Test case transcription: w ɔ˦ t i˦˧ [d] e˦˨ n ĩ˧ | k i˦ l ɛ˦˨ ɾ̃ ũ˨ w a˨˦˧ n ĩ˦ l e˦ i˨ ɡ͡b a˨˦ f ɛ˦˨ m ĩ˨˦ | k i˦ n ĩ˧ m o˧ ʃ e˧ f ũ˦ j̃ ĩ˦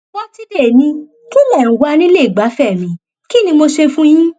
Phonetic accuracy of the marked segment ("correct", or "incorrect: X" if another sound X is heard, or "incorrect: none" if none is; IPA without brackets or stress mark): correct